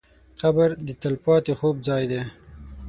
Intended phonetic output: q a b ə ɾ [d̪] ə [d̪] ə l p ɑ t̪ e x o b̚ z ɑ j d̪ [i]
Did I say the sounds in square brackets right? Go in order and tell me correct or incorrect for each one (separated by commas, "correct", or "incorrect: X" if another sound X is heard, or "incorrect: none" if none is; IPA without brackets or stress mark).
correct, incorrect: t̪, incorrect: e